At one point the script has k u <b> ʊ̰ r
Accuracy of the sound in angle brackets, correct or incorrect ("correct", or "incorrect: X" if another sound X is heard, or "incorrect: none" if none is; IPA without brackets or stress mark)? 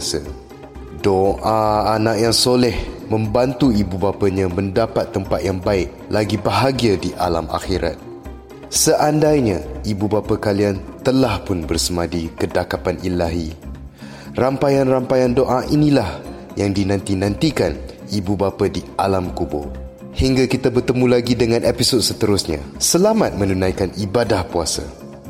correct